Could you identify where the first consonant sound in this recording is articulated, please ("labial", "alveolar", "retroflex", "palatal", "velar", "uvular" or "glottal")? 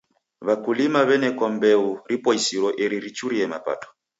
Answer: labial